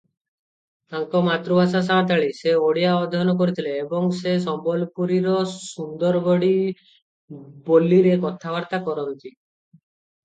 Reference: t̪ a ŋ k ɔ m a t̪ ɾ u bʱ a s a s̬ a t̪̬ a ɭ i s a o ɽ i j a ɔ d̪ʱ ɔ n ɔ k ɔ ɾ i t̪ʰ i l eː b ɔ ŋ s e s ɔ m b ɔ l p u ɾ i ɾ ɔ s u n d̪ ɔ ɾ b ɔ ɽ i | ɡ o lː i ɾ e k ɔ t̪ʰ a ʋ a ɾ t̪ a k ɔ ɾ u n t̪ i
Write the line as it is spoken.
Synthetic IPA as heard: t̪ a ŋ k ɔ m a t̪ ɾ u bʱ a s a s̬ a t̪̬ a ɭ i s e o ɽ i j a ɔ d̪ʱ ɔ n ɔ k ɔ ɾ i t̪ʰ i l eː b ɔ ŋ s e s ɔ m b ɔ l p u ɾ i ɾ ɔ s u n d̪ ɔ ɾ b ɔ ɽ i | b o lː i ɾ e k ɔ t̪ʰ a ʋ a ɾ t̪ a k ɔ ɾ ɔ n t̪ i